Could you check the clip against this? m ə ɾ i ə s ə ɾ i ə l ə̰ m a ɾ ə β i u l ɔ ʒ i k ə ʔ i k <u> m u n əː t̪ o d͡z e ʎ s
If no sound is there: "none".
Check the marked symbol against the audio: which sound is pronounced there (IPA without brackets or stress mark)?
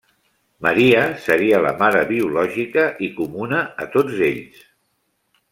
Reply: u